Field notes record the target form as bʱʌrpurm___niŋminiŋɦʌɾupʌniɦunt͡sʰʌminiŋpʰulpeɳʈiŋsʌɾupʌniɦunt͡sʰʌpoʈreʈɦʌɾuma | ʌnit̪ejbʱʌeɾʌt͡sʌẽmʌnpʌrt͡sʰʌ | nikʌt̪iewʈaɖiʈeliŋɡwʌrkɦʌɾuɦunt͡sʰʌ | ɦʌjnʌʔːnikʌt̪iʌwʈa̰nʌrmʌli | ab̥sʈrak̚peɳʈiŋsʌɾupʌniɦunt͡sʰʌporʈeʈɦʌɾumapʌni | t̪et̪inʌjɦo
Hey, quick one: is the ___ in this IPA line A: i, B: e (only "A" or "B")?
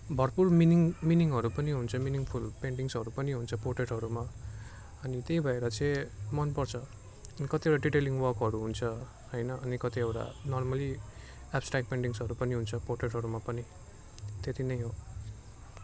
A